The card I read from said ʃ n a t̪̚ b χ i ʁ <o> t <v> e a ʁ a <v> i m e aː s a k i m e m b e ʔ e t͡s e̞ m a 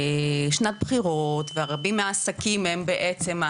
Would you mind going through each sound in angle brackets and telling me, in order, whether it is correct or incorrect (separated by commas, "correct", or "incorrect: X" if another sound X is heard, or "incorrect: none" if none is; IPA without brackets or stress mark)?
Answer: correct, correct, incorrect: b